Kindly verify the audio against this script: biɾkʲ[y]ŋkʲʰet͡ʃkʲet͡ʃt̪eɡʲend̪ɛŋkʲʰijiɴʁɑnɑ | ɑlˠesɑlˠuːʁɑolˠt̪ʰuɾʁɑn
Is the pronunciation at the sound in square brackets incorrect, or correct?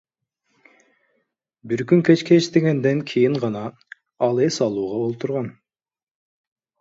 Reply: correct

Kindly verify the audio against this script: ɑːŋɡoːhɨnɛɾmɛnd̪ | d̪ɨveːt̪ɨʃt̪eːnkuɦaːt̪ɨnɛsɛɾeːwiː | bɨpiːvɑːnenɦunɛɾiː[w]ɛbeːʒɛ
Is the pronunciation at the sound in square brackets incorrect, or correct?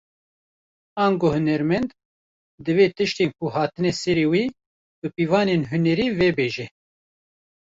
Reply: incorrect: v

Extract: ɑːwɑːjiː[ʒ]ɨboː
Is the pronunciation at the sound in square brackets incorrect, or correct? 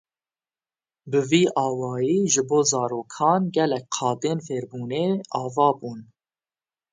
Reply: correct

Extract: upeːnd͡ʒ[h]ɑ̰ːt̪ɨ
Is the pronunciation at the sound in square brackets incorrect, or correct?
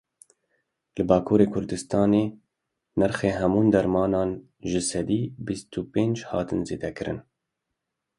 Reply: correct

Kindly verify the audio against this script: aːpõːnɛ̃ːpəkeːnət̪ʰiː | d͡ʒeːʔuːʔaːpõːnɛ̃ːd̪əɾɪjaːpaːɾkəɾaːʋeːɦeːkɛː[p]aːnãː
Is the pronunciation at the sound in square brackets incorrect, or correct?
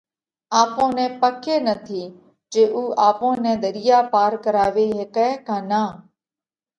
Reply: incorrect: k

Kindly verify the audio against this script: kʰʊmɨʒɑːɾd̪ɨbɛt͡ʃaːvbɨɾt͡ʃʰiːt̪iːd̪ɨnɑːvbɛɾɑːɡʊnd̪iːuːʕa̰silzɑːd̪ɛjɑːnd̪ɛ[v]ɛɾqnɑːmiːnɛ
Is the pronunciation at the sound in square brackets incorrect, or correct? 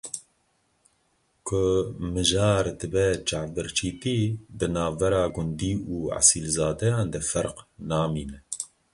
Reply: incorrect: f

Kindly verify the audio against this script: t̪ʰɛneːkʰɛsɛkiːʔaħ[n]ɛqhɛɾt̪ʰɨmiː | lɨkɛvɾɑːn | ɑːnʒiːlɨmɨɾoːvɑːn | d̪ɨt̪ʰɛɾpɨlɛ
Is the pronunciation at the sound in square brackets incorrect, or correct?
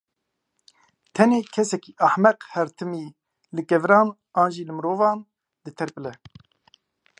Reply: incorrect: m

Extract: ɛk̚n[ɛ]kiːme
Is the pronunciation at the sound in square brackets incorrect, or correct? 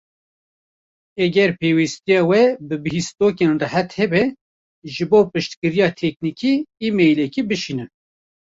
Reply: incorrect: i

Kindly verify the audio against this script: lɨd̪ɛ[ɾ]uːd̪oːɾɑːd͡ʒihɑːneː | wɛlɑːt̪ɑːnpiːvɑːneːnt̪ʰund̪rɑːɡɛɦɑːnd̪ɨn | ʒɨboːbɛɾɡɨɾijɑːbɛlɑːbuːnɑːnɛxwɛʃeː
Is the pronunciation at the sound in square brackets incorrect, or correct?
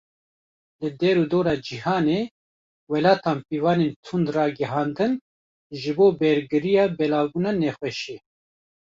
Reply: correct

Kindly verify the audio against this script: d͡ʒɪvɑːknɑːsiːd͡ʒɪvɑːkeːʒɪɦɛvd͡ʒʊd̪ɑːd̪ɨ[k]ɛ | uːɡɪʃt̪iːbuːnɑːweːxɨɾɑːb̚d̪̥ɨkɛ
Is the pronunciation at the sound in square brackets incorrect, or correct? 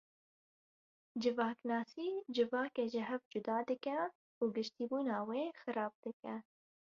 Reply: correct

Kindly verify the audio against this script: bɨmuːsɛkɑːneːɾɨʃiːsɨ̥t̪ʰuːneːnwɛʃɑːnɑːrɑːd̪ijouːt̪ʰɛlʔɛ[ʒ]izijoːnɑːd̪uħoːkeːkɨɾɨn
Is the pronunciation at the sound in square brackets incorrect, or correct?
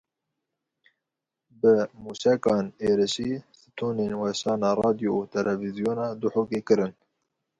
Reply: incorrect: v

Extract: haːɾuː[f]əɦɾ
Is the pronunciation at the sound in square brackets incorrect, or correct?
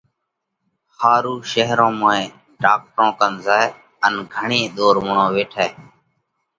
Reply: incorrect: ʃ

